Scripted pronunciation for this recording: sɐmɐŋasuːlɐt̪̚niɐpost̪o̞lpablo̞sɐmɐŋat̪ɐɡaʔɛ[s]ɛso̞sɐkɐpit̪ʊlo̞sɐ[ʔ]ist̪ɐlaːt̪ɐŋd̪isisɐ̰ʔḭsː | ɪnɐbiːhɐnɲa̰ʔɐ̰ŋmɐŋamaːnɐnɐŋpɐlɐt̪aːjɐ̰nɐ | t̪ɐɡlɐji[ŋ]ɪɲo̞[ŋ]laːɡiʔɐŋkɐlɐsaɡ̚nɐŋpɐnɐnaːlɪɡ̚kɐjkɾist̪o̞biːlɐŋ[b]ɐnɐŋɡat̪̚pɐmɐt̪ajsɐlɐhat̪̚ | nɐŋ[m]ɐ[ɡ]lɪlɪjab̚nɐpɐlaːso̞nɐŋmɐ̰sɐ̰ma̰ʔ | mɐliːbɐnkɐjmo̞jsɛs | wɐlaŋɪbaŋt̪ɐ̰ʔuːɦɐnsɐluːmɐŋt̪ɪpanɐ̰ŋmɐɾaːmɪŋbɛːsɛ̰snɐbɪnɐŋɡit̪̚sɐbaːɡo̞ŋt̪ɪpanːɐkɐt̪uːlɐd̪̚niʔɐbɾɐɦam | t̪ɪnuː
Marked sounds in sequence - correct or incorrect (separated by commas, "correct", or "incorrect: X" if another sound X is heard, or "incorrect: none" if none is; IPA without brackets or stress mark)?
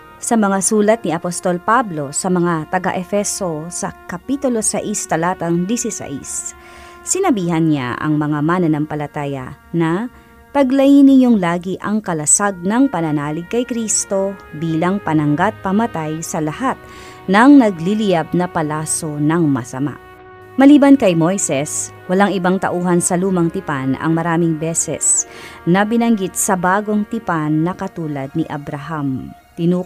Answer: incorrect: f, correct, incorrect: n, correct, incorrect: p, incorrect: n, correct